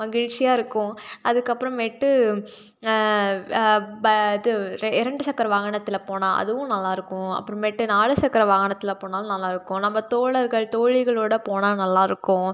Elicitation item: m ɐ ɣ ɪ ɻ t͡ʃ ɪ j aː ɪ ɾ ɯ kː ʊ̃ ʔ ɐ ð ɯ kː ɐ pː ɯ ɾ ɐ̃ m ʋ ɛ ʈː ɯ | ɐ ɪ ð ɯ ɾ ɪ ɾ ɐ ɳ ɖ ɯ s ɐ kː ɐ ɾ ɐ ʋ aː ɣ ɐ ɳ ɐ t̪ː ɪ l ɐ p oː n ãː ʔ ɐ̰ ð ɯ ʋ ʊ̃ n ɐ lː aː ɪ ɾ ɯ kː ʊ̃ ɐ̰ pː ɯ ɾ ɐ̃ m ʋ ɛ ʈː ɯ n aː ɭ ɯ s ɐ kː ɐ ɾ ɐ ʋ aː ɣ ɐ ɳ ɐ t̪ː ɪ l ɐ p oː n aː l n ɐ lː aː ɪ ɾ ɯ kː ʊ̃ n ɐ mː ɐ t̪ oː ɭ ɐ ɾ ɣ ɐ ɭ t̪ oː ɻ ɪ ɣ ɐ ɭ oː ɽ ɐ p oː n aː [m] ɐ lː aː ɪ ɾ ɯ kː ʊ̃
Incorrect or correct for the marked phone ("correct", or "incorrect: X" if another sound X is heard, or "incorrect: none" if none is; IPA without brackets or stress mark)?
incorrect: n